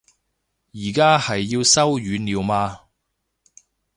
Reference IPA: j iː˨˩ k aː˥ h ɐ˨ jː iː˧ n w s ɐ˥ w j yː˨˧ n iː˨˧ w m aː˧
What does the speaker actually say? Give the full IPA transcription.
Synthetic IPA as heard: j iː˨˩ k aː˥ h ɐ˨ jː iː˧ w s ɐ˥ w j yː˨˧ n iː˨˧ w m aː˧